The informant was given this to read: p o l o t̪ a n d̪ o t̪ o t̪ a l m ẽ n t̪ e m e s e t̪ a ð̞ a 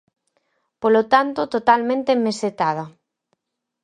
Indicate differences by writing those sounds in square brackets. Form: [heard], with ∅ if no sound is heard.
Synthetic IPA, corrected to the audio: p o l o t̪ a n [t̪] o t̪ o t̪ a l m ẽ n t̪ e m e s e t̪ a ð̞ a